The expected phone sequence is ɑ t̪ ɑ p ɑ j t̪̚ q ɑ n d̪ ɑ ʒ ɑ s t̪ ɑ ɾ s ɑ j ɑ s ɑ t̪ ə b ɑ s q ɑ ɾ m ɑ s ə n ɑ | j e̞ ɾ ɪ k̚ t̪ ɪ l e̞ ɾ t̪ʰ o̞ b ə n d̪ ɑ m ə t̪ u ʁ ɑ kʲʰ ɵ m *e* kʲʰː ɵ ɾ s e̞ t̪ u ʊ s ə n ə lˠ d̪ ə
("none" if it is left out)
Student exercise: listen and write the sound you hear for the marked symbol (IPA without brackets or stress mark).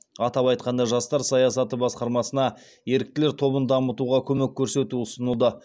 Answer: e